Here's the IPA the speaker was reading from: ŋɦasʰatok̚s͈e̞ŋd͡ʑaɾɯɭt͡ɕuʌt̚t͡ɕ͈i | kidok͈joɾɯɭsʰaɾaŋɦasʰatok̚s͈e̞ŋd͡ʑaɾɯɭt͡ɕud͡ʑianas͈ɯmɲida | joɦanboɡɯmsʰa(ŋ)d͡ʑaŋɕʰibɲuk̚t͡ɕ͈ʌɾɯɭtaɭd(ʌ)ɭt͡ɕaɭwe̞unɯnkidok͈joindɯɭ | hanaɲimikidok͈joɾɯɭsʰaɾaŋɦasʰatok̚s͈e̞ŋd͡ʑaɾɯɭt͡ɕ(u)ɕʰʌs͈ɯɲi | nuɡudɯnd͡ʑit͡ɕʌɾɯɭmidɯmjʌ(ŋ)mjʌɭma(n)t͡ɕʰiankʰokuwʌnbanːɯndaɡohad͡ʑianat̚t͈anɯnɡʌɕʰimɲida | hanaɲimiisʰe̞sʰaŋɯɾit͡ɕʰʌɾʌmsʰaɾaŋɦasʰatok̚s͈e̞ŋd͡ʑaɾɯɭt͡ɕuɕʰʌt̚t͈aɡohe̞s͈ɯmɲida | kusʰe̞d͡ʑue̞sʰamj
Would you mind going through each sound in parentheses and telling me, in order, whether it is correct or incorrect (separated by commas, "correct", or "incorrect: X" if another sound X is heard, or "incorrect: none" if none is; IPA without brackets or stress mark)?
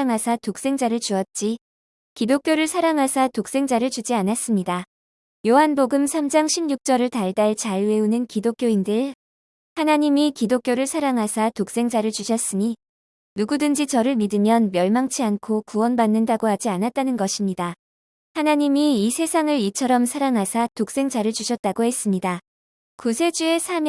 incorrect: m, incorrect: a, correct, incorrect: n, incorrect: ŋ